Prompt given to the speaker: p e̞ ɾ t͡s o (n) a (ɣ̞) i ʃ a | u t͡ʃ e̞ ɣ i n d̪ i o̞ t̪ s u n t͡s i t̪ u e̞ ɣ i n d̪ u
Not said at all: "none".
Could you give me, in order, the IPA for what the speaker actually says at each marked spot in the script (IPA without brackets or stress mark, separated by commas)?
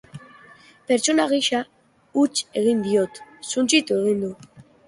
n, ɣ̞